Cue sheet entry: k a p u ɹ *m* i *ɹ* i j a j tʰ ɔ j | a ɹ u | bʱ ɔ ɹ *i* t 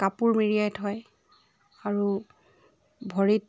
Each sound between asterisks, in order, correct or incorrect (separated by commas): correct, correct, correct